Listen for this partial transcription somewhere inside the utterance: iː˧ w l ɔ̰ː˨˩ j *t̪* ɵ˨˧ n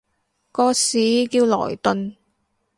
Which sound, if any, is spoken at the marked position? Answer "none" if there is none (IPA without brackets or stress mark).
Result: t̪